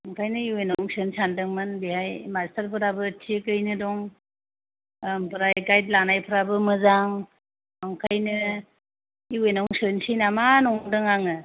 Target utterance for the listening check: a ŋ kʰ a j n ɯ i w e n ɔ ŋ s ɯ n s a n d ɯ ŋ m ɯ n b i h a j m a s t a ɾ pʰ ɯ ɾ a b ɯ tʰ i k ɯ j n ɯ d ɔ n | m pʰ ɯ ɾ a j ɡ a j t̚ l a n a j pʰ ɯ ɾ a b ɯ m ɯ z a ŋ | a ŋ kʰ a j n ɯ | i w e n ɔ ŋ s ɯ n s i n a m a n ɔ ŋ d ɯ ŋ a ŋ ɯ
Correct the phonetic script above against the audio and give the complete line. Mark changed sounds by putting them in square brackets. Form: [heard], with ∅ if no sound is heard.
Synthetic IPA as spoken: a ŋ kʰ a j n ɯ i w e n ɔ ŋ s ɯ n s a n d ɯ ŋ m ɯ n b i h a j m a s t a ɾ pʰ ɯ ɾ a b ɯ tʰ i k ɯ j n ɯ d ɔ [ŋ] | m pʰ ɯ ɾ a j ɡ a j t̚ l a n a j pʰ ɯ ɾ a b ɯ m ɯ z a ŋ | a ŋ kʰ a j n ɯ | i w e n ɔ ŋ s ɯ n s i n a m a n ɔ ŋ d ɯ ŋ a ŋ ɯ